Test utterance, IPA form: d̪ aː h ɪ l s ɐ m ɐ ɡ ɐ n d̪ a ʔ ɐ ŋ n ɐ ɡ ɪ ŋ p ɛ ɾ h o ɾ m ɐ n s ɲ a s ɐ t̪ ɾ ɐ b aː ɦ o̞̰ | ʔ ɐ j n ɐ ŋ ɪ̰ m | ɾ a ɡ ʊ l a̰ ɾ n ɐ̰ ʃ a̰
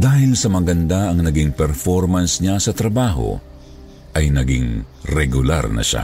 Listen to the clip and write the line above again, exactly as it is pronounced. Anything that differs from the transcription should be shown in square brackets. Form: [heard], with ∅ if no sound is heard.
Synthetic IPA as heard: d̪ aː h ɪ l s ɐ m ɐ ɡ ɐ n d̪ a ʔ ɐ ŋ n ɐ ɡ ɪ ŋ p ɛ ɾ [f] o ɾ m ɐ n s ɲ a s ɐ t̪ ɾ ɐ b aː ɦ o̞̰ | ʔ ɐ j n ɐ [ɡ] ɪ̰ [ŋ] | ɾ [ɛ] ɡ ʊ l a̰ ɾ n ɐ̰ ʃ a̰